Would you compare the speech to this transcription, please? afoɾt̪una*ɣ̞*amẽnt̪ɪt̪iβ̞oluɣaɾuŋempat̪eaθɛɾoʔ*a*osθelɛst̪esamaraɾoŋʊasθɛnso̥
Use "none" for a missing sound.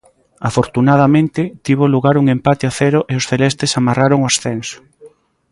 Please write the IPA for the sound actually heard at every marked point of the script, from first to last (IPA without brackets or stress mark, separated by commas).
ð̞, e